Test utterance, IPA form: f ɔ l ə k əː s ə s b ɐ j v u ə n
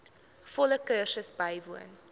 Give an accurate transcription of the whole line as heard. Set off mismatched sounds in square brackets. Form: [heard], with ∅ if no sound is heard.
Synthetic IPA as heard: f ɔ l ə k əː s ə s b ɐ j v u ə n